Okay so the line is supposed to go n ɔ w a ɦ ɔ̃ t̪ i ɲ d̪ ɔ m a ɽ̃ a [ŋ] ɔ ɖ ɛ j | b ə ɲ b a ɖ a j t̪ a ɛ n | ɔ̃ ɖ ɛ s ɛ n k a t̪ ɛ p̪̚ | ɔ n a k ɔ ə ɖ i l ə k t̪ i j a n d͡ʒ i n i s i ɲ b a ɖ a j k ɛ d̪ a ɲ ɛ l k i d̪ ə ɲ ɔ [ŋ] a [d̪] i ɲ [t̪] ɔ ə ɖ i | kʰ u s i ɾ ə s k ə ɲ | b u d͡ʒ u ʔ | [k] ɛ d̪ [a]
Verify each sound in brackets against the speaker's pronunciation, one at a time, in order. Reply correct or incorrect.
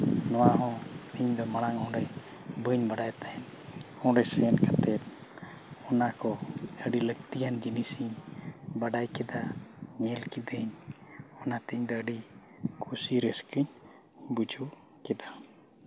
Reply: correct, incorrect, incorrect, incorrect, correct, correct

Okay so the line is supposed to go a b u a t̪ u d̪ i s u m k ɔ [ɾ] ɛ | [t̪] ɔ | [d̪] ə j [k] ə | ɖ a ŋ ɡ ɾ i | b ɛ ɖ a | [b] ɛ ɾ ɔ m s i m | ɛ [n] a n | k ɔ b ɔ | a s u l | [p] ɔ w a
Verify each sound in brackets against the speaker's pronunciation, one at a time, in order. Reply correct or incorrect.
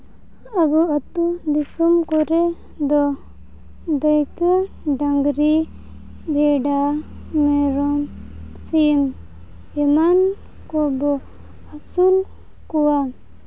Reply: correct, incorrect, correct, correct, incorrect, incorrect, incorrect

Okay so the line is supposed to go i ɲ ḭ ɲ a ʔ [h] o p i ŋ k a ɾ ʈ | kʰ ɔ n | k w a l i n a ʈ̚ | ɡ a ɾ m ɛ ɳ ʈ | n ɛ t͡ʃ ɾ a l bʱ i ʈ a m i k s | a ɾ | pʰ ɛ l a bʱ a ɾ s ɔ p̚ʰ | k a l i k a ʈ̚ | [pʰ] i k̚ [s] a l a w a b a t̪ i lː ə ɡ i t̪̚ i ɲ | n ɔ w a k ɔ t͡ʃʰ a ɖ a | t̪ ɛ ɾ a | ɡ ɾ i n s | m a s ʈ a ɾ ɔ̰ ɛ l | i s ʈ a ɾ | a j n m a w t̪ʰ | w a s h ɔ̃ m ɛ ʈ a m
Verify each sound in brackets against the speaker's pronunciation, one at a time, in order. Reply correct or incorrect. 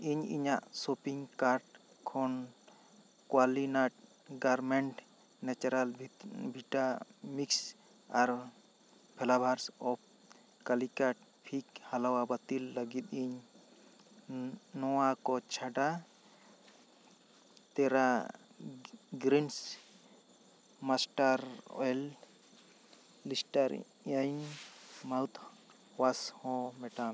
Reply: incorrect, correct, incorrect

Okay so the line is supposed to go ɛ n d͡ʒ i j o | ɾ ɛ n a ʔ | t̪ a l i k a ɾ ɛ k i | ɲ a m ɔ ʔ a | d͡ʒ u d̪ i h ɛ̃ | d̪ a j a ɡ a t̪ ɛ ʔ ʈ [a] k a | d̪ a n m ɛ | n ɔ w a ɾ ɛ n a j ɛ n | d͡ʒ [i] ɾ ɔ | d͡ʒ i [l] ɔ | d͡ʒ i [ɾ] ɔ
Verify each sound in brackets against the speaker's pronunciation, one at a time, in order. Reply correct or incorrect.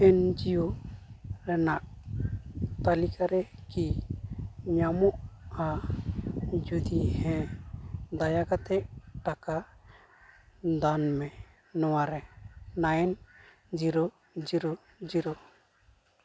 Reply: correct, correct, incorrect, correct

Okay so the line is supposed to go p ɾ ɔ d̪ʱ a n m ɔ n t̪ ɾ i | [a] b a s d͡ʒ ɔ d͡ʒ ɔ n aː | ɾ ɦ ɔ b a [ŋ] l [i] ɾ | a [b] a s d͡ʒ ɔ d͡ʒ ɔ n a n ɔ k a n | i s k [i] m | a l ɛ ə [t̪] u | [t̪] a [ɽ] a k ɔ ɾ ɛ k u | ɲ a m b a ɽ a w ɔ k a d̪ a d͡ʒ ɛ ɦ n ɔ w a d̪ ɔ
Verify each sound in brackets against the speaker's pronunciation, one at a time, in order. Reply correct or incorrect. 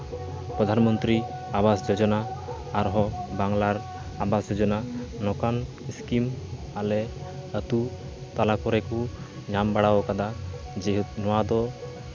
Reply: correct, correct, incorrect, correct, correct, correct, correct, incorrect

